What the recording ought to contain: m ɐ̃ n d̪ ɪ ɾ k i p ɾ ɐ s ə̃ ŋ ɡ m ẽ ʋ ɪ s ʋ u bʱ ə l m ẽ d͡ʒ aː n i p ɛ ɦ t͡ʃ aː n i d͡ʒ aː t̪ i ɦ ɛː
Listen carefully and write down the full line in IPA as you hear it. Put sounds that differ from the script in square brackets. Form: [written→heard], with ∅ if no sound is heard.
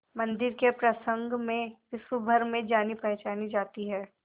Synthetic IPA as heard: m ɐ̃ n d̪ ɪ ɾ k [i→e] p ɾ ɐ s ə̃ ŋ ɡ m ẽ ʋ ɪ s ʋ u bʱ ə [l→ɾ] m ẽ d͡ʒ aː n i p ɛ ɦ t͡ʃ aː n i d͡ʒ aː t̪ i ɦ ɛː